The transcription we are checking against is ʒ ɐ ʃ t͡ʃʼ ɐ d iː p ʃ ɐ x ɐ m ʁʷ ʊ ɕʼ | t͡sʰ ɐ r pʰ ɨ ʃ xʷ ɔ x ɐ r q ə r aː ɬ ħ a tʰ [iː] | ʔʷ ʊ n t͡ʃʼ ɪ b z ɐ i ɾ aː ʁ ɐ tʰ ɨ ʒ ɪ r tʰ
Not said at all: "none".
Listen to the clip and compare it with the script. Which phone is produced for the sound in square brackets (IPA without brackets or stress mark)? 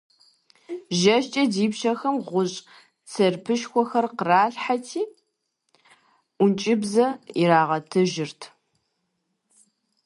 iː